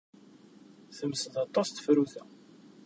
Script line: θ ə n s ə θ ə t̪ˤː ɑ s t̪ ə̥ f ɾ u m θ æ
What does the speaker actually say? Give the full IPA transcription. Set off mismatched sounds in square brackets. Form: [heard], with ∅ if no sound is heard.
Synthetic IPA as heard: θ ə [m] s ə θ [ɑ] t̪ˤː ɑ s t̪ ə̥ f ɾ u [∅] θ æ

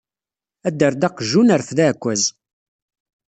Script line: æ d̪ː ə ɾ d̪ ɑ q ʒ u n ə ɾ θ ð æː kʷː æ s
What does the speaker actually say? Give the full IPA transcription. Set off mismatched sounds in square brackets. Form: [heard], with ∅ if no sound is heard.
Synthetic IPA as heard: æ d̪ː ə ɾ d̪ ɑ q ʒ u n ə ɾ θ ð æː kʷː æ [z]

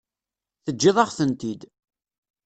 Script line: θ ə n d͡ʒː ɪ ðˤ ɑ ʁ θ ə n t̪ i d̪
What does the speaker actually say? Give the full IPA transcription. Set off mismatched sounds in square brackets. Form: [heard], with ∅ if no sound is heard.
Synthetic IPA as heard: θ ə [∅] d͡ʒː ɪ ðˤ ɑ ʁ θ ə n t̪ i d̪

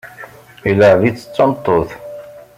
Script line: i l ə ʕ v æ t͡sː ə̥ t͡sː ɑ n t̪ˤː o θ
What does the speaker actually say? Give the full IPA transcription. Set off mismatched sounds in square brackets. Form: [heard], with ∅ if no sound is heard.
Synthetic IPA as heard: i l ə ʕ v [i] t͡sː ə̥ t͡sː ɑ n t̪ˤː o θ

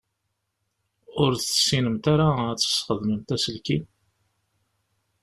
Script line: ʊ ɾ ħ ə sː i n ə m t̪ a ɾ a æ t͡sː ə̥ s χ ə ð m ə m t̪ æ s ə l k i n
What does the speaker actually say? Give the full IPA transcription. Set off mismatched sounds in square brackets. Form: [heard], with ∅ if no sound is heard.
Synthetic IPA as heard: ʊ ɾ [θ] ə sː i n ə m t̪ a ɾ a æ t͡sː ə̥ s χ ə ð m ə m t̪ æ s ə l k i n

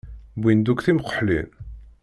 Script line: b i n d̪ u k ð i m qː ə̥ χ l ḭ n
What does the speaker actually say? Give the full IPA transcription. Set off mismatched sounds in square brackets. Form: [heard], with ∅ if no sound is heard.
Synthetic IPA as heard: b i n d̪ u k [θ] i m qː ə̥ [ħ] l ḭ n

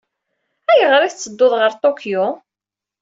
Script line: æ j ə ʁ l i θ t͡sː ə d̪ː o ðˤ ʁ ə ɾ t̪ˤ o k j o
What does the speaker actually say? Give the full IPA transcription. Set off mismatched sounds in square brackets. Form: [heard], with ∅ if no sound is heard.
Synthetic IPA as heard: æ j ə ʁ [ɾ] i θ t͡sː ə d̪ː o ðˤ ʁ ə ɾ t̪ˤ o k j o

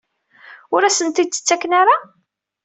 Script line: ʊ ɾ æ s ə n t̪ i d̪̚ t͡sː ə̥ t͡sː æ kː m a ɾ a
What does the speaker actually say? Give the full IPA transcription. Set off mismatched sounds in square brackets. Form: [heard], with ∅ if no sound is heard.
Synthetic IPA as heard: ʊ ɾ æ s ə n t̪ i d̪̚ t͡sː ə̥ t͡sː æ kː [n] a ɾ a

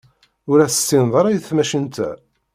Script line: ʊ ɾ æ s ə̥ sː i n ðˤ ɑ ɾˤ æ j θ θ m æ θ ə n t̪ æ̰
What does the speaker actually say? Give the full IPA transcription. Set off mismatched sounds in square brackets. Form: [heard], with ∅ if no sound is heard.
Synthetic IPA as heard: ʊ ɾ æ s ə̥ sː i n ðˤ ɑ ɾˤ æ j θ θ m æ [ʃ] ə n t̪ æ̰

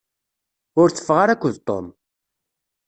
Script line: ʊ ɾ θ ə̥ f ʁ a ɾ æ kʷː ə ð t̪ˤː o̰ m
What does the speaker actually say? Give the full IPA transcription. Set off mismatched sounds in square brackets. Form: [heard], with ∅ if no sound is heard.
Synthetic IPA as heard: ʊ ɾ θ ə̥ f ʁ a ɾ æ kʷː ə ð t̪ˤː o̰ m

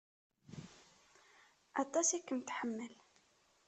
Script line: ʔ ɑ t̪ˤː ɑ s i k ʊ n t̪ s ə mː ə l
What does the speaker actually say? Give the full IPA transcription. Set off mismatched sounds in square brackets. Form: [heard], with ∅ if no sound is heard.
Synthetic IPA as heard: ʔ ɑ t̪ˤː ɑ s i k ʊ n t̪ [ħ] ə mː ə l

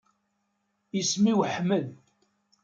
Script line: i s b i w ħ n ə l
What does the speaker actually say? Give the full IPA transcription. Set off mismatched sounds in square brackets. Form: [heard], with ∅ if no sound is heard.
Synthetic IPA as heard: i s [m] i w ħ [m] ə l

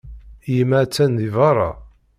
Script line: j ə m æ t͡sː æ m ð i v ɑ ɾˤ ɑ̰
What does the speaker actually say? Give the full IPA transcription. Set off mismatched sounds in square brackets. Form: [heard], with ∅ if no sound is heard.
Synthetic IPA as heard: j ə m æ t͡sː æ [n] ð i v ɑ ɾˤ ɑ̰

